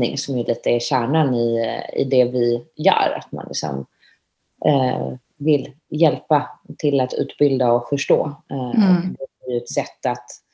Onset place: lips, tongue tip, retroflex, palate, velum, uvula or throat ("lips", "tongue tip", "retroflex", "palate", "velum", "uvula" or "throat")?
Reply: velum